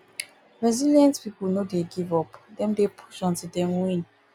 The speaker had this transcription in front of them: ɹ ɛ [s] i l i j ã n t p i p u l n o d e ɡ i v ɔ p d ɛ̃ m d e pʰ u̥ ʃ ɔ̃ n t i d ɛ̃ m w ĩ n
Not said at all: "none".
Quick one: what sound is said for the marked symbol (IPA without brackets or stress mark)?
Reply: z